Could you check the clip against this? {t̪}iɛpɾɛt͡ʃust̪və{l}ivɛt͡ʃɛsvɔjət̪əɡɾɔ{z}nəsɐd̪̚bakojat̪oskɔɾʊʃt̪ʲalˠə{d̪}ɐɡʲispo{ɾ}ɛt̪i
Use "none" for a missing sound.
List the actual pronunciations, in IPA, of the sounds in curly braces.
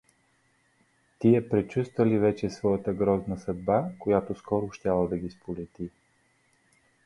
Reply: t̪, l, z, d̪, l

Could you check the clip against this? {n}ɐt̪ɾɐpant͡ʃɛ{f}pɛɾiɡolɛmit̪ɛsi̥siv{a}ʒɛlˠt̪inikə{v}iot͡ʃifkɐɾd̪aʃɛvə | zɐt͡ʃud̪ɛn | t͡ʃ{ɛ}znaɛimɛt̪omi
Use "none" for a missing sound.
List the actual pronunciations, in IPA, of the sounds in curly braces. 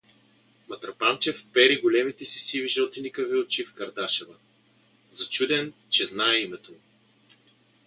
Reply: m, f, i, v, ɛ

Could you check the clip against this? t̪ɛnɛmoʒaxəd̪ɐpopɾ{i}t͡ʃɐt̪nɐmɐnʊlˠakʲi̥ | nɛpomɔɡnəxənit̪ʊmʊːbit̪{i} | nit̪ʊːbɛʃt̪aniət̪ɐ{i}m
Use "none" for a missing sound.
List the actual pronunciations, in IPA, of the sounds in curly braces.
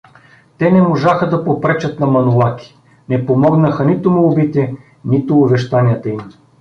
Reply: ɛ, ɛ, i

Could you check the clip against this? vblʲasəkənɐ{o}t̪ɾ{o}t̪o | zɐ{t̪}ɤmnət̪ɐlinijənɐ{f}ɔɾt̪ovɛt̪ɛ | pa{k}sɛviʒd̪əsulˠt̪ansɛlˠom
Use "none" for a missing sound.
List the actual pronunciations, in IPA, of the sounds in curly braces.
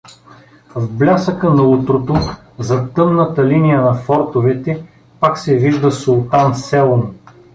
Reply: u, o, t̪, f, k

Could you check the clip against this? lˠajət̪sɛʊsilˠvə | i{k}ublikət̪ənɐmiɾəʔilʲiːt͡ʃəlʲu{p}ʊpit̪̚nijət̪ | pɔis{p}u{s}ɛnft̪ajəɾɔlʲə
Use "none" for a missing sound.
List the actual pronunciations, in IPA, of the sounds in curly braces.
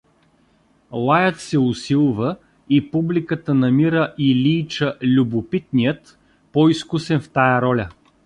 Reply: p, b, k, s

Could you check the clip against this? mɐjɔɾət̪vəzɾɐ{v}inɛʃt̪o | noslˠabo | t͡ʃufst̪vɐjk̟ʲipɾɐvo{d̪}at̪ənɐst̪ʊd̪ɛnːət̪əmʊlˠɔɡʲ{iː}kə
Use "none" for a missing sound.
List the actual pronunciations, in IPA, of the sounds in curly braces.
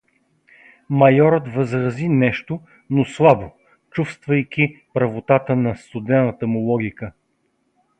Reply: z, t̪, i

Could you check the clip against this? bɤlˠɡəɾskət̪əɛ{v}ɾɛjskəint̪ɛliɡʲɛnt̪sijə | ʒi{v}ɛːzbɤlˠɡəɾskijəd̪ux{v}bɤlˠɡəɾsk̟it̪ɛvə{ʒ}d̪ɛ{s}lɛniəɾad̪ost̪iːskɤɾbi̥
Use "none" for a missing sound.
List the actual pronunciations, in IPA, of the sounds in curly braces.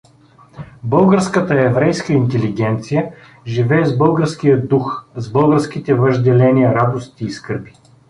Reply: v, v, z, ʒ, none

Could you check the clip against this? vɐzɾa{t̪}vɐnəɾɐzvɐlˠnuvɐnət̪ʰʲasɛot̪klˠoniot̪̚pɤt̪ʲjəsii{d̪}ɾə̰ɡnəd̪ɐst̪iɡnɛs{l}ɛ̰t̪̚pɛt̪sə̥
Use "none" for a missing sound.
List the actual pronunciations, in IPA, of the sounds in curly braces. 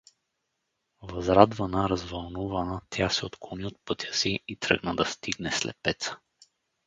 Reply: d̪, t̪, l

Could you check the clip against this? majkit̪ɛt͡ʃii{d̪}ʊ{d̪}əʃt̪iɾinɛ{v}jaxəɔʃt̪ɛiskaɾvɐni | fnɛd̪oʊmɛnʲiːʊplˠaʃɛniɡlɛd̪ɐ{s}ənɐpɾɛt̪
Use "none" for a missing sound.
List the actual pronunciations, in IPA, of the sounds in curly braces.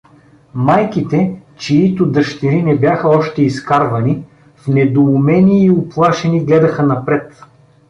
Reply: t̪, d̪, b, x

